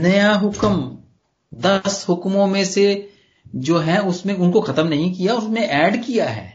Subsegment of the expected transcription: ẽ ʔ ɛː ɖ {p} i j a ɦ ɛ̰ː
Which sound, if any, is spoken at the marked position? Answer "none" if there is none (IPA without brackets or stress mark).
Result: k